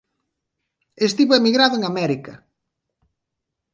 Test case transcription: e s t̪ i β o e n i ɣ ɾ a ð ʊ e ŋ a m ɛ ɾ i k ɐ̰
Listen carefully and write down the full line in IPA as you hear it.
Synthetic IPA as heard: e s t̪ i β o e m i ɣ ɾ a ð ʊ e ŋ a m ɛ ɾ i k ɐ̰